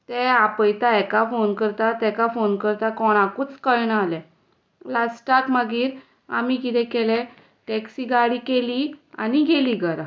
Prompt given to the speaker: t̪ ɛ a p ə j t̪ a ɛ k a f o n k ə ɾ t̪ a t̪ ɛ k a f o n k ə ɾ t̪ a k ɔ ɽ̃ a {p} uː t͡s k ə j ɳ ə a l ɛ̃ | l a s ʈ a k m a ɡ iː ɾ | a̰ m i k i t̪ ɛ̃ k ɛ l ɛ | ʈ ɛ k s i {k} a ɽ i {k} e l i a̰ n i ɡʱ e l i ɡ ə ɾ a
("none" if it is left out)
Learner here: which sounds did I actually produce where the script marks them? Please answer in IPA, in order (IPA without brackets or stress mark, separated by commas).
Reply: k, ɡ, k